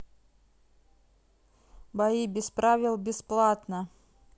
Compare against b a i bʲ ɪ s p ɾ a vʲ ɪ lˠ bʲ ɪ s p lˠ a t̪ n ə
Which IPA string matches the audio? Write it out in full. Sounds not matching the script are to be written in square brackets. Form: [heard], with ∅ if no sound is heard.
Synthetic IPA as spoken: b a i bʲ ɪ s p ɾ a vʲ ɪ lˠ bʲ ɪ s p lˠ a t̪ n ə